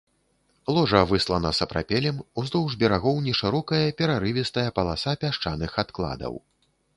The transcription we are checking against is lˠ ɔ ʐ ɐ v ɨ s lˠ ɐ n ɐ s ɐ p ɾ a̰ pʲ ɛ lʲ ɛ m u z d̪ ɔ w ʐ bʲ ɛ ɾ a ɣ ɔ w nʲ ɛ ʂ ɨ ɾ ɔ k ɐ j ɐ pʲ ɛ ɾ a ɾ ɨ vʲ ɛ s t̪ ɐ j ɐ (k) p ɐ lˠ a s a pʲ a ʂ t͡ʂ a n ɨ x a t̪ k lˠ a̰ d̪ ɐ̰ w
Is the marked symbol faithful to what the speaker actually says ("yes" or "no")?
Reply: no